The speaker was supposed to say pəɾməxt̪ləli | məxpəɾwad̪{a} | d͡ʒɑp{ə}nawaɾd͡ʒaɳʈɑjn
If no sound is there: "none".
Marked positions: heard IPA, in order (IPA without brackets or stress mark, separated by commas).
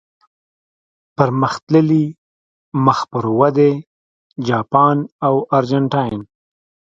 e, ɑ